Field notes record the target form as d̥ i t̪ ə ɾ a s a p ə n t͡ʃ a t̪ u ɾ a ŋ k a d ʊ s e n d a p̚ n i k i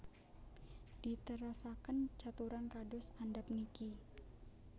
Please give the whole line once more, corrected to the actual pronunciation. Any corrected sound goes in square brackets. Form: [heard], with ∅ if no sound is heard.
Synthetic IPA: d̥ i t̪ ə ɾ a s a [k] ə n t͡ʃ a t̪ u ɾ a [n] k a d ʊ s [a] n d a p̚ n i k i